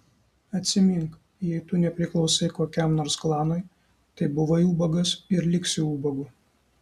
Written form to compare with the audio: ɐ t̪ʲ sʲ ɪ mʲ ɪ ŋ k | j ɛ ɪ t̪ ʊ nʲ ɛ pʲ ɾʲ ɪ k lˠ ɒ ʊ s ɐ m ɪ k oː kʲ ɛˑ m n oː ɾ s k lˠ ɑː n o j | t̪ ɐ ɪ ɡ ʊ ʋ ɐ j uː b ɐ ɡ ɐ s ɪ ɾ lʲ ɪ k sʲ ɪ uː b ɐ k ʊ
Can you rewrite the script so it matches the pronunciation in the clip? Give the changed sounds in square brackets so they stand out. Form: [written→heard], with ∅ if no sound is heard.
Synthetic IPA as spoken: ɐ t̪ʲ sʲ ɪ mʲ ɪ ŋ k | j ɛ ɪ t̪ ʊ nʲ ɛ pʲ ɾʲ ɪ k lˠ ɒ ʊ s ɐ [m→∅] ɪ k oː kʲ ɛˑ m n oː ɾ s k lˠ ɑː n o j | t̪ ɐ ɪ [ɡ→b] ʊ ʋ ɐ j uː b ɐ ɡ ɐ s ɪ ɾ lʲ ɪ k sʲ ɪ uː b ɐ [k→ɡ] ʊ